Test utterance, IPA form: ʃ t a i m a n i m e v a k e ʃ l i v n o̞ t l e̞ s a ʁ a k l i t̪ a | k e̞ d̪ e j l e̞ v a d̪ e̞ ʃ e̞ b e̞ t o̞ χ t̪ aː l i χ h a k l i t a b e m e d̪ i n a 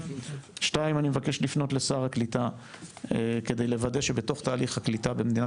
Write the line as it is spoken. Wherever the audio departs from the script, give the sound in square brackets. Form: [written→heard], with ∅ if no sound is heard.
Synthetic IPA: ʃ t a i m a n i m e v a k e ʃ l i [v→f] n o̞ t l e̞ s a ʁ a k l i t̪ a | k e̞ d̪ e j l e̞ v a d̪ e̞ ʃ e̞ b e̞ t o̞ χ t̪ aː l i χ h a k l i t a b e m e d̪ i n a